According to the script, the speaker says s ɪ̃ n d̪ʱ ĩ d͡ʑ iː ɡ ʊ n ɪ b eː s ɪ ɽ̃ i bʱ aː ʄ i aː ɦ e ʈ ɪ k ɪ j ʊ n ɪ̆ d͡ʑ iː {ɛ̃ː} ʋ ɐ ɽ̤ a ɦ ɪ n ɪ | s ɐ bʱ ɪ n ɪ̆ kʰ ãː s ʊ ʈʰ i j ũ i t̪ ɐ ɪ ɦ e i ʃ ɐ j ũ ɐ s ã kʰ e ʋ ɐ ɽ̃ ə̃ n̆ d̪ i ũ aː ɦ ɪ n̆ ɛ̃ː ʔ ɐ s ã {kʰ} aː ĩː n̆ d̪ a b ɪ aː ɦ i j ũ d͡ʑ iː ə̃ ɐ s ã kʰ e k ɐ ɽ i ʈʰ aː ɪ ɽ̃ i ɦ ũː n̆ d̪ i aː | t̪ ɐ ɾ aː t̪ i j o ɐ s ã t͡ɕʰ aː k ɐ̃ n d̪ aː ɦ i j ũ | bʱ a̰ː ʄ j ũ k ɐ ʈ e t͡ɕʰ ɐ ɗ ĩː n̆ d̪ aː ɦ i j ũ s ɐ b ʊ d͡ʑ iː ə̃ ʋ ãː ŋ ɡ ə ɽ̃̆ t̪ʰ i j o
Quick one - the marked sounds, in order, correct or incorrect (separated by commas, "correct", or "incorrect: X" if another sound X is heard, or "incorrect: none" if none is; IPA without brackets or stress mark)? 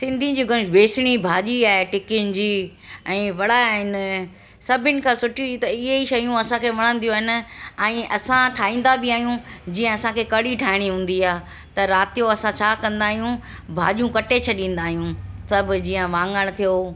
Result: correct, incorrect: ʈʰ